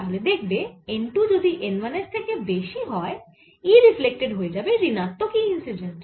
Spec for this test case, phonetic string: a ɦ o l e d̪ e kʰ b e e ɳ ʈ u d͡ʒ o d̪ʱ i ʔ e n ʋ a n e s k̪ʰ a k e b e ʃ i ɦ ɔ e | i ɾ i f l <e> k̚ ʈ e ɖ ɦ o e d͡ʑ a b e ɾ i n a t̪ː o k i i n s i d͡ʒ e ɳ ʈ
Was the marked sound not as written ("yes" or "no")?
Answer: no